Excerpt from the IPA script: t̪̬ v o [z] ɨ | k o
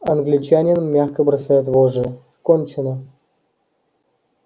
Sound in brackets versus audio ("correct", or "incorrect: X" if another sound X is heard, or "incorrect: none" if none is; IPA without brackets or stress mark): incorrect: ʐ